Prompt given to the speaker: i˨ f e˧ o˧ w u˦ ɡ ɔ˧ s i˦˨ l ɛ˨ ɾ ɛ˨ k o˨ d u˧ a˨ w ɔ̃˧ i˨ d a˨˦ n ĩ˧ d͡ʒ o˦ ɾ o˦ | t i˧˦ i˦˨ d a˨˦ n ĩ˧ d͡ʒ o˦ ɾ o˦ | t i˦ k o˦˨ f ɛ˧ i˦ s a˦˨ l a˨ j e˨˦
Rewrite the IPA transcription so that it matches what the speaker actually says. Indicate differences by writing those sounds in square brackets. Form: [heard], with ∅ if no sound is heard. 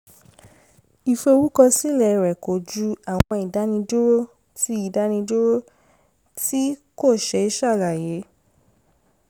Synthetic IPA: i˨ f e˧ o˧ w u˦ [k] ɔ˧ s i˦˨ l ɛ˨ ɾ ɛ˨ k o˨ [d͡ʒ] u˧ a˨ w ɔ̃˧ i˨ d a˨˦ n ĩ˧ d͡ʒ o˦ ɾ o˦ | t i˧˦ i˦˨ d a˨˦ n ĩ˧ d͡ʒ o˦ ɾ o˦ | t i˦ k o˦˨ [ʃ] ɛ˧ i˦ [ʃ] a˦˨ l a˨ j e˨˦